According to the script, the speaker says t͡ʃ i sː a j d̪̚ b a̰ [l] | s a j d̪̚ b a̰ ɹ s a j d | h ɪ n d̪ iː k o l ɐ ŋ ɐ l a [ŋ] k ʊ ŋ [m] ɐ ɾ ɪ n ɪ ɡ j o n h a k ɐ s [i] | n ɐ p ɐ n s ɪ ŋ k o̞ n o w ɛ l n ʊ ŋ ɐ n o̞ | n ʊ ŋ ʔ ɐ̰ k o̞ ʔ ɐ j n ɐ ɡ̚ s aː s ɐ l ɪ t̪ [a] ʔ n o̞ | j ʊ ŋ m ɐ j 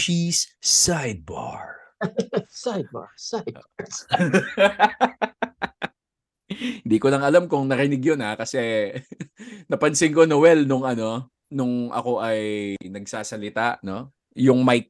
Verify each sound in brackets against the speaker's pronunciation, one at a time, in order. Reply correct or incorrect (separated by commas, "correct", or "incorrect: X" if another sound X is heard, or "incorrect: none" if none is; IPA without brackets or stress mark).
incorrect: ɹ, incorrect: m, incorrect: n, incorrect: ɛ, correct